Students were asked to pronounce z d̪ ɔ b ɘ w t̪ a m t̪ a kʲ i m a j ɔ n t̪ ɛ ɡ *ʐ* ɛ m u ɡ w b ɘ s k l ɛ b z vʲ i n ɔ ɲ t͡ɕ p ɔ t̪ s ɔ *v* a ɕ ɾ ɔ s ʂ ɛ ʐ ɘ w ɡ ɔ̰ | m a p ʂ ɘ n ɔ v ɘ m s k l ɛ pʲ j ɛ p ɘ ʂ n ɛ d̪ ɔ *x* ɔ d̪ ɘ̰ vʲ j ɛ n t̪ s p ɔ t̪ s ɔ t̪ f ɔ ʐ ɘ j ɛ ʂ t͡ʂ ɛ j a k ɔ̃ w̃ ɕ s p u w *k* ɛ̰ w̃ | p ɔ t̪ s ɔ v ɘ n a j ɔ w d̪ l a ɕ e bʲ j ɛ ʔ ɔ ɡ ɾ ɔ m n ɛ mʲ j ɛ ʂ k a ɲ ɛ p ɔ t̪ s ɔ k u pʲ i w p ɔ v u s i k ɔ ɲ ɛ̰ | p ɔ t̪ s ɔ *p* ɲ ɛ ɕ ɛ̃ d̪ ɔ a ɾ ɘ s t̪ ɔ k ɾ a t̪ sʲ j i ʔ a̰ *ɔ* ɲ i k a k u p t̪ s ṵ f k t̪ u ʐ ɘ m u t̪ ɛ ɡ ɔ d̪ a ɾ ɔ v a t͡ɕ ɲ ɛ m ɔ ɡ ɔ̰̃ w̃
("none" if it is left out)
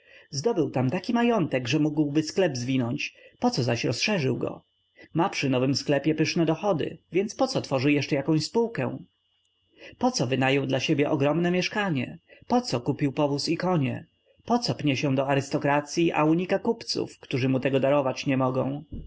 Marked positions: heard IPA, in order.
ʐ, z, x, k, p, u

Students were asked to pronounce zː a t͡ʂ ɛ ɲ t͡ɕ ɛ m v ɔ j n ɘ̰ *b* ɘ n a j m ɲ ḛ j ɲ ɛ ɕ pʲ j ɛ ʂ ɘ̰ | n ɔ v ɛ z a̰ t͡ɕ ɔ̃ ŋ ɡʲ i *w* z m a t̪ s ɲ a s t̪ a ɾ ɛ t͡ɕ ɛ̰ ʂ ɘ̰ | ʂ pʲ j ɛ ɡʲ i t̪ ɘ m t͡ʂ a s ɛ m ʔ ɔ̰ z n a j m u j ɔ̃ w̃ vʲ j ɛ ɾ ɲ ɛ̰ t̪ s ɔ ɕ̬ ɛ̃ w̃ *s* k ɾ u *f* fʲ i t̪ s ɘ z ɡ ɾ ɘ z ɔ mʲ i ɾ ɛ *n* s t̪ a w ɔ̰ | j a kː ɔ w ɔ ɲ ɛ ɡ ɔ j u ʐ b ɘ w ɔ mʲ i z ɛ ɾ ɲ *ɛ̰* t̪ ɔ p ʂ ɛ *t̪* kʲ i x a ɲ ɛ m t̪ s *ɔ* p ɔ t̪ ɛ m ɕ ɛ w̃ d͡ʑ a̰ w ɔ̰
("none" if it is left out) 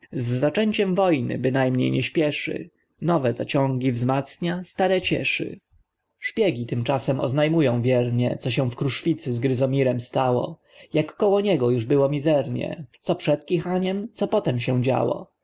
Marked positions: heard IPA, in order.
b, v, f, ʂ, m, ɛ̰, t̪, ɔ

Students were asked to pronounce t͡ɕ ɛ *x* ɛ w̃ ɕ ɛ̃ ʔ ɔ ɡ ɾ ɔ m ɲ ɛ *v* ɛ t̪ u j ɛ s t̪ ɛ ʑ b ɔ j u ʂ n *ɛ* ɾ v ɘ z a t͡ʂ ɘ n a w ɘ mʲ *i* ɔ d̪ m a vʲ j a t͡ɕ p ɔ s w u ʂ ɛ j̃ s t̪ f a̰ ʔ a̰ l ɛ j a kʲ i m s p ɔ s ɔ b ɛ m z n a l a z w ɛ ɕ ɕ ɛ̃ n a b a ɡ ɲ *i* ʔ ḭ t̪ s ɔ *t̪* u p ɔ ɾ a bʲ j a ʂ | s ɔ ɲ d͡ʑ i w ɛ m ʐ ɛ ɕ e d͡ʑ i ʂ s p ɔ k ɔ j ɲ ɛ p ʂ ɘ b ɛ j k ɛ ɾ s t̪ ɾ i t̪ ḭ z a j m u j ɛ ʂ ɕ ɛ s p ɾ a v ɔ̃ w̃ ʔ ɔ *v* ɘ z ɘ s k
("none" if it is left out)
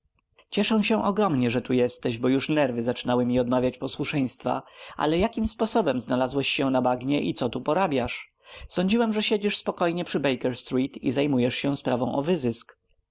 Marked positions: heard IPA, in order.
ʂ, ʐ, ɛ, i, ɛ, t̪, v

